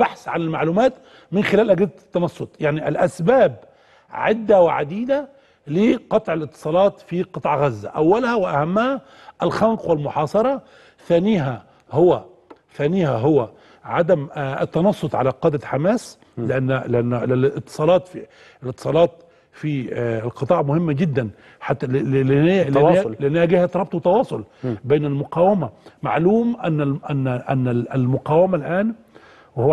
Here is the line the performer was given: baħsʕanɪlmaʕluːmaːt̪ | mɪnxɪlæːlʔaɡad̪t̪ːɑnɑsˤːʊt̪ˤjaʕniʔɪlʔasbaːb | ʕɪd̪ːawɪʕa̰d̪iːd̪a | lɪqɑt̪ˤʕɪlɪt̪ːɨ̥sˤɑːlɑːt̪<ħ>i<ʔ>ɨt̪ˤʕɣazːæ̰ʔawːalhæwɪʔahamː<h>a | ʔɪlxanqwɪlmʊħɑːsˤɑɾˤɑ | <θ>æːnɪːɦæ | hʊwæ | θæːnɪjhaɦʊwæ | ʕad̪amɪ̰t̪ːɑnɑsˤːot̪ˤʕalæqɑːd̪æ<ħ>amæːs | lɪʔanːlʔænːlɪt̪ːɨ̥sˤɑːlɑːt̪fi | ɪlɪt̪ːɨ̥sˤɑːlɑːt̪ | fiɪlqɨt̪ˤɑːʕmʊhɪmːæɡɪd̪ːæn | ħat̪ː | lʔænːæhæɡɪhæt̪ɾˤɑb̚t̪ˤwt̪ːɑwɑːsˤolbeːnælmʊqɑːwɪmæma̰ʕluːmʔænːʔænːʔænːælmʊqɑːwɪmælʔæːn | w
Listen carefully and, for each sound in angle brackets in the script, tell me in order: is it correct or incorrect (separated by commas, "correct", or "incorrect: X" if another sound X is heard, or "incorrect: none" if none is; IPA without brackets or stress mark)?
incorrect: f, incorrect: q, correct, correct, correct